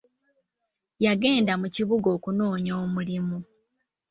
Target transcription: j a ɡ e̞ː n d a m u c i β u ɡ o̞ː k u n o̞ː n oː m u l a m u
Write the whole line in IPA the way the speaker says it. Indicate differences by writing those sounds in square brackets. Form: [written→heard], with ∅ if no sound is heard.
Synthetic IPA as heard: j a ɡ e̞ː n d a m u c i β u ɡ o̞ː k u n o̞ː [n→ɲ] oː m u l [a→i] m u